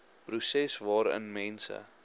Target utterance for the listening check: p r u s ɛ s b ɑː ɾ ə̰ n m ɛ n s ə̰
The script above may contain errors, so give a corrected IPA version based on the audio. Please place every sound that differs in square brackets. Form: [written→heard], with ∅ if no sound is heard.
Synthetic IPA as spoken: p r u s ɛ s [b→v] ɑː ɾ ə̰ n m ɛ n s ə̰